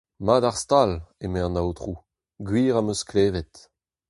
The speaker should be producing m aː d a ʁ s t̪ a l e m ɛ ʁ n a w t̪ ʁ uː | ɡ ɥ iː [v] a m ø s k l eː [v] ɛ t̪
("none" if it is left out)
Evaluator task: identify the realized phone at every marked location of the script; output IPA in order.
ʁ, v

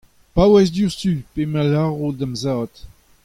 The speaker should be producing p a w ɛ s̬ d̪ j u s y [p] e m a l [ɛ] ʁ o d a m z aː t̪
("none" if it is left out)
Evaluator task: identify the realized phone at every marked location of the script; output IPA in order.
p, a

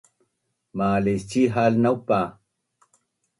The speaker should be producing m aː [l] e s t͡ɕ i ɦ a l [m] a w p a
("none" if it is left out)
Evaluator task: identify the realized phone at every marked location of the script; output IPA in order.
l, n

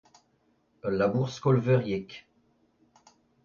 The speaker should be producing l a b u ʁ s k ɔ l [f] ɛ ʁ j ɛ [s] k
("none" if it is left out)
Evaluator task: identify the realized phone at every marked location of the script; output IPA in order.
v, none

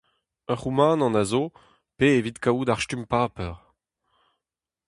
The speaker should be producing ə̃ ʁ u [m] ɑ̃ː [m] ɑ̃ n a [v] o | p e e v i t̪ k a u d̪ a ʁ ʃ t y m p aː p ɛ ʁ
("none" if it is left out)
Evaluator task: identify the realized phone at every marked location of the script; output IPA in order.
m, n, z

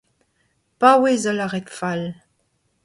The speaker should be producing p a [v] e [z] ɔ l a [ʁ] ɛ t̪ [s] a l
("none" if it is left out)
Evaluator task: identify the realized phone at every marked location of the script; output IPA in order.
w, z, ʁ, f

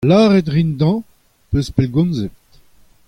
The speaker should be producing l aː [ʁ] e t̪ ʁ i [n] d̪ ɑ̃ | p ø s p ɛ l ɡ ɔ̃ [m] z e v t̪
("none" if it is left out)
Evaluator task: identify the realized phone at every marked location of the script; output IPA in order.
ʁ, n, n

